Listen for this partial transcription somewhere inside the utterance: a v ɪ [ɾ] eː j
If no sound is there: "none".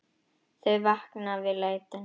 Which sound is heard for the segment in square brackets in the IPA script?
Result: l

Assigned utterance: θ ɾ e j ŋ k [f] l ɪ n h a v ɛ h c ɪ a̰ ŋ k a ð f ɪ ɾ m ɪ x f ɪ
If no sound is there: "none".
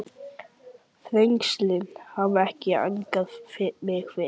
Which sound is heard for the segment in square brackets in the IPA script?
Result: s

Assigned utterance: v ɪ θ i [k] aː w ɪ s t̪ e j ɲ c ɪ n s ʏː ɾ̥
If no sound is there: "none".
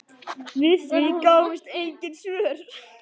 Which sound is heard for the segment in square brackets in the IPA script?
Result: k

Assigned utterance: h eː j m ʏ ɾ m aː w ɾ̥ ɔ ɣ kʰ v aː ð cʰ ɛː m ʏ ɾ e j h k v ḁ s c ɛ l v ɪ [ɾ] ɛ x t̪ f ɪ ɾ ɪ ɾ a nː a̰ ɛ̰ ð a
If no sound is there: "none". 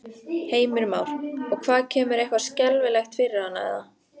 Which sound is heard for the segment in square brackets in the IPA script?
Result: l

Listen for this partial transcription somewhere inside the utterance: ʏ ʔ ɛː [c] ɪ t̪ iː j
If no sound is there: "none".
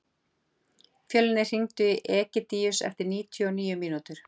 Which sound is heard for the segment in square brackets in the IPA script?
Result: c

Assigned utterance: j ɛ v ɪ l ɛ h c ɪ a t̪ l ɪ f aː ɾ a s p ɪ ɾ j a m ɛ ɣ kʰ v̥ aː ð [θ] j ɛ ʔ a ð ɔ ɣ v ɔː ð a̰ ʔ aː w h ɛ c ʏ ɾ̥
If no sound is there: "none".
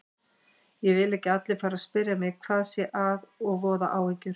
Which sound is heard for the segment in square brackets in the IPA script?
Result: s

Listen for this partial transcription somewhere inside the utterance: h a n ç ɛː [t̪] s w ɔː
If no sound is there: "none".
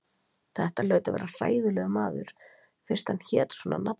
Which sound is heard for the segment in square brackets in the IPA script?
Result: t̪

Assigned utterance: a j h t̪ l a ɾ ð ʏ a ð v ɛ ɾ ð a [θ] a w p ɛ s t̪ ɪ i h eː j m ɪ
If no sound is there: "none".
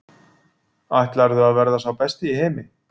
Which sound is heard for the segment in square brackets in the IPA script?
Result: s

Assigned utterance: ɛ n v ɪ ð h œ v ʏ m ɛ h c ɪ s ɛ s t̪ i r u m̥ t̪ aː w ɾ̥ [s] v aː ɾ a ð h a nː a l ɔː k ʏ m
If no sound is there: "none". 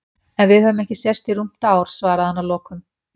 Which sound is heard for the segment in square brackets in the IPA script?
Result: s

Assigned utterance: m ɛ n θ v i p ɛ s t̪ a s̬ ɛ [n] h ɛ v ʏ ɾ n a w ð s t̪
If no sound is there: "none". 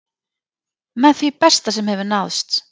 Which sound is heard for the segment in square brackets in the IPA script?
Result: m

